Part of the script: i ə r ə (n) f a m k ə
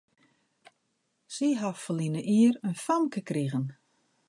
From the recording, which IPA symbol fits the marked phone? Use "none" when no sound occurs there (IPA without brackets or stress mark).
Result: n